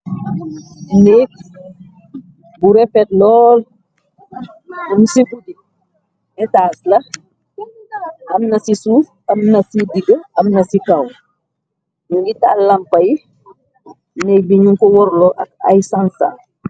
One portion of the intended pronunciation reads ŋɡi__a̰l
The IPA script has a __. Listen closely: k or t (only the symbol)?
t